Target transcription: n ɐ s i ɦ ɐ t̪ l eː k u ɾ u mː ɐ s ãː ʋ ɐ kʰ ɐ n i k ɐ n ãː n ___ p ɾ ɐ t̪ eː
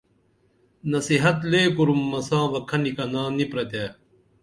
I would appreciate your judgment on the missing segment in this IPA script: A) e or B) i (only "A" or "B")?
B